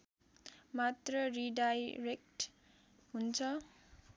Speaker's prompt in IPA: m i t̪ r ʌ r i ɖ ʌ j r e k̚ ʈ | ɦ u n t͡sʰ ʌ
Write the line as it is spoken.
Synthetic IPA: m a t̪ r ʌ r i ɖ a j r e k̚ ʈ | ɦ u n t͡sʰ ʌ